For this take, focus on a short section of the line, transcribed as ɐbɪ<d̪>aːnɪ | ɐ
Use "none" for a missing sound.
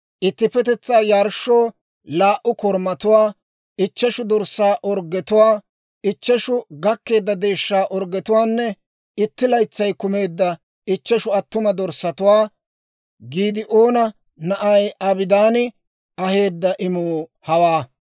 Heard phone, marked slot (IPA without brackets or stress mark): d̪